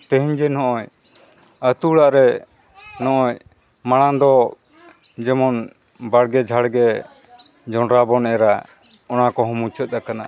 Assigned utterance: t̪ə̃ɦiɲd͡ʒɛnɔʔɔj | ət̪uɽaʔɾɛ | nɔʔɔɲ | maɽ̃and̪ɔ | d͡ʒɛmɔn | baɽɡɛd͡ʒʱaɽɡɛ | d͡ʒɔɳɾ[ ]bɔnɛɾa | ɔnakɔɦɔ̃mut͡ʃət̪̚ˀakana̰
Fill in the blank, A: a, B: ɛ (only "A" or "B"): A